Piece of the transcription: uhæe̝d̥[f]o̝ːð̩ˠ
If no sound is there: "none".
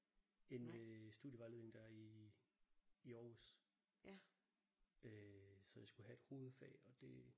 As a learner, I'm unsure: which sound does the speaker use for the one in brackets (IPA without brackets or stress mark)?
h